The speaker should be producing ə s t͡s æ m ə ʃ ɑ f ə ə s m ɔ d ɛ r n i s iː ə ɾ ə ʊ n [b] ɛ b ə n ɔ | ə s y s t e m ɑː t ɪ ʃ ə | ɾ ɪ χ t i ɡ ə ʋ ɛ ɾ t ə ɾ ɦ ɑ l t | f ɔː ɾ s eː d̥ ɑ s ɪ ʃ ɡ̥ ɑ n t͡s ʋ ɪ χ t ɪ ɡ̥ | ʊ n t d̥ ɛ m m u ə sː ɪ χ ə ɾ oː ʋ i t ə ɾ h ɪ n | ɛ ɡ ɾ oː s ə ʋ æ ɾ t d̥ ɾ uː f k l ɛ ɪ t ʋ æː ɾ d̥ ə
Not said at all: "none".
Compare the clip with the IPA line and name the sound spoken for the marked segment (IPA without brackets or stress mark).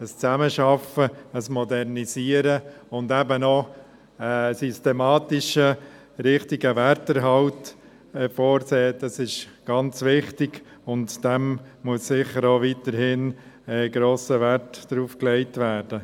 d